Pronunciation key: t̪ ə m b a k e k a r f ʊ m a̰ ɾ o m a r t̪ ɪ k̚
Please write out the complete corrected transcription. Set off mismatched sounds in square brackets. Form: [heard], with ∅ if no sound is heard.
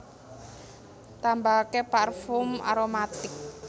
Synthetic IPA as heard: t̪ [a] m b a k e [p] a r f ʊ m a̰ ɾ o m a [∅] t̪ ɪ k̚